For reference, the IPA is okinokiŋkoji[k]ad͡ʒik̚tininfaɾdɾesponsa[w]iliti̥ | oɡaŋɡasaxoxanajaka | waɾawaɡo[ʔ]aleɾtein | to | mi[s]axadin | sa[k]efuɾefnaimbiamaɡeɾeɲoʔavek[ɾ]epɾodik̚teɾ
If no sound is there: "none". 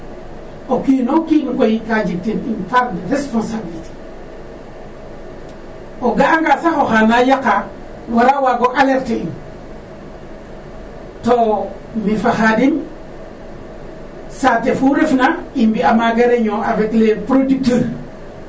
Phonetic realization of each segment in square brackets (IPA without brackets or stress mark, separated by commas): k, b, ʔ, f, t, l